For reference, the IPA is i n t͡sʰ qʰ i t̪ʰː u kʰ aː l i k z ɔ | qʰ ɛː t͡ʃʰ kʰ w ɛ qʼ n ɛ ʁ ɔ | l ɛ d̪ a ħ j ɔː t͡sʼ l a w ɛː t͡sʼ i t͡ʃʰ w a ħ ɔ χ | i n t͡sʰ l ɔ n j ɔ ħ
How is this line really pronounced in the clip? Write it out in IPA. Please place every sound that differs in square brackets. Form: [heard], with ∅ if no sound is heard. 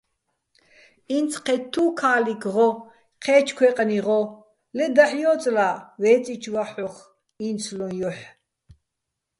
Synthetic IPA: i n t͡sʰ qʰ [ɛ] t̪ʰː u kʰ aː l i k [ʁ] ɔ | qʰ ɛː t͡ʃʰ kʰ w ɛ qʼ n [i] ʁ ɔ | l ɛ d̪ a ħ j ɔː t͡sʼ l a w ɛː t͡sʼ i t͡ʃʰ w a ħ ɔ χ | i n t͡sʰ l ɔ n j ɔ ħ